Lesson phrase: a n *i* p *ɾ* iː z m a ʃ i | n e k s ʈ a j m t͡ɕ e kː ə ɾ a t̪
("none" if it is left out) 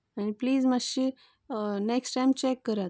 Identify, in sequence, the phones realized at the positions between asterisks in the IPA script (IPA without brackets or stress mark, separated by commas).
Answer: i, l